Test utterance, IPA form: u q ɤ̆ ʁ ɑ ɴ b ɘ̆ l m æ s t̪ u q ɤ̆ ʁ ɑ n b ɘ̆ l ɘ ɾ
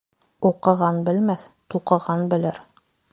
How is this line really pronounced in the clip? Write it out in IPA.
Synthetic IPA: u q ɤ̆ ʁ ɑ n b ɘ̆ l m æ θ t̪ u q ɤ̆ ʁ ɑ n b ɘ̆ l ɘ ɾ